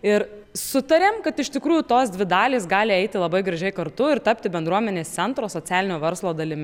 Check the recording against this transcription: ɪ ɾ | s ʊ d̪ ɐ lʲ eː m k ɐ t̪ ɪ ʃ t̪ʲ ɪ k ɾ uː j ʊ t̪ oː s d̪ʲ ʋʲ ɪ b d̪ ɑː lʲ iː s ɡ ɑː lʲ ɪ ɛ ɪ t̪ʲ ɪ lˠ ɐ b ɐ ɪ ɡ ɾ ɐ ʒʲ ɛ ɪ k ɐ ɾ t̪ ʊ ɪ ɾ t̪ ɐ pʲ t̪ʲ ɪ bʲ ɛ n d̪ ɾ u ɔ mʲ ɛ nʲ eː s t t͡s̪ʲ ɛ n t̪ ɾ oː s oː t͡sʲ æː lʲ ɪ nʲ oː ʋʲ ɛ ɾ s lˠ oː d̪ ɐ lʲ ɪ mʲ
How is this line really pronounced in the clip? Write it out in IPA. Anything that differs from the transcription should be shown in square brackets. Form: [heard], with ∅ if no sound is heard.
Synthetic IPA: ɪ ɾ | s ʊ [t̪] ɐ [ɾʲ] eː m k ɐ t̪ ɪ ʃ t̪ʲ ɪ k ɾ uː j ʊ t̪ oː s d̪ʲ ʋʲ ɪ [∅] d̪ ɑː lʲ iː s ɡ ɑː lʲ ɪ ɛ ɪ t̪ʲ ɪ lˠ ɐ b ɐ ɪ ɡ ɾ ɐ ʒʲ ɛ ɪ k ɐ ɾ t̪ ʊ ɪ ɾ t̪ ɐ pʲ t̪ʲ ɪ bʲ ɛ n d̪ ɾ u ɔ mʲ ɛ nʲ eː s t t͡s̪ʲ ɛ n t̪ ɾ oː s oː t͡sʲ æː lʲ ɪ nʲ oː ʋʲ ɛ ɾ s lˠ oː d̪ ɐ lʲ ɪ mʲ